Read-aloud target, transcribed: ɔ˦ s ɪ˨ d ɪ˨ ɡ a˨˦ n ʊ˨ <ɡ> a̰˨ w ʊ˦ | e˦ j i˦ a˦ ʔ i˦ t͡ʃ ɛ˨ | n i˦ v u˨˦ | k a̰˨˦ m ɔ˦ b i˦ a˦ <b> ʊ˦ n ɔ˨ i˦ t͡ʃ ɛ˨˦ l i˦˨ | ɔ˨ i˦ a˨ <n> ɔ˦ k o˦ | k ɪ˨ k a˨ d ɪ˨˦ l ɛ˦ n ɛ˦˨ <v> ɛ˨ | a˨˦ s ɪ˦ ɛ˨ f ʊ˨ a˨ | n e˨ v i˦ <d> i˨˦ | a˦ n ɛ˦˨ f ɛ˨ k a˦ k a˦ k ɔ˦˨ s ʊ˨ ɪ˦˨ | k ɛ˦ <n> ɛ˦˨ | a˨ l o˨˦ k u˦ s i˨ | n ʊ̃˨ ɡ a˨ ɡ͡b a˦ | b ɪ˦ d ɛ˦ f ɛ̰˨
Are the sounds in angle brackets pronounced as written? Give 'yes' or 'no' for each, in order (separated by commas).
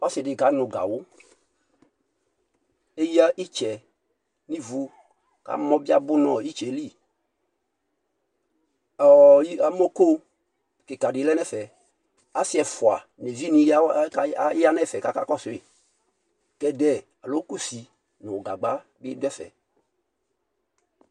yes, yes, no, no, no, no